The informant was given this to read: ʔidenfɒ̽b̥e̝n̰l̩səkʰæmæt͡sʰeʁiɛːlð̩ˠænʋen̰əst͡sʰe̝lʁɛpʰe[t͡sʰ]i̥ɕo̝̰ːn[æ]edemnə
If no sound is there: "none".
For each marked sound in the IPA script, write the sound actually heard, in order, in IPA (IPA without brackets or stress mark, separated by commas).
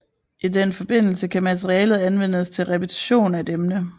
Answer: t͡sʰ, æ